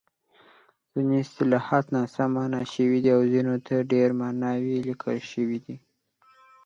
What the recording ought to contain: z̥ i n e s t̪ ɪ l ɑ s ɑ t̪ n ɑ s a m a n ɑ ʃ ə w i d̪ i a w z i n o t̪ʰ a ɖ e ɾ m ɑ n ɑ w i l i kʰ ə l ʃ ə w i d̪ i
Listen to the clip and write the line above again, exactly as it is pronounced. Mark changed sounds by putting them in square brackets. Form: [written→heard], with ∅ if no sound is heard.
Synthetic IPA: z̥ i n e s t̪ ɪ l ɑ [s→h] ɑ t̪ n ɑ s a m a n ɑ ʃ ə w i d̪ i a w z i n o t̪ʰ a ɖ e ɾ m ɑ n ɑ w i l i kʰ ə l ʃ ə w i d̪ i